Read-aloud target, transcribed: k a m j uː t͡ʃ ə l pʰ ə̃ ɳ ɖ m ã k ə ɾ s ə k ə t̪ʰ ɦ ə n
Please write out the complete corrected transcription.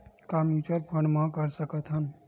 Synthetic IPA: k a m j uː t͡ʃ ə ɾ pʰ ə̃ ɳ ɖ m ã k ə ɾ s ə k ə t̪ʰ ɦ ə n